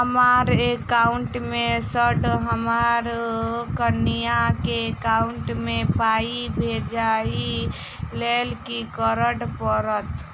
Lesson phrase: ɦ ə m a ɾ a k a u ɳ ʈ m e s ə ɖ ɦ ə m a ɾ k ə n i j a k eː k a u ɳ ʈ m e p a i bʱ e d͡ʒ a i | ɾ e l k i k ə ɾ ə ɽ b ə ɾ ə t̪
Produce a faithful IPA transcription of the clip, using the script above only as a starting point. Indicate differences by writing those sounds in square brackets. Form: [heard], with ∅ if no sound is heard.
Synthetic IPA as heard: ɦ ə m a ɾ [e] k a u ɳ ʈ m e s ə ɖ ɦ ə m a ɾ k ə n i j a k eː k a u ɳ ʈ m e p a i bʱ e d͡ʒ a i | [l] e l k i k ə ɾ ə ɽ [p] ə ɾ ə t̪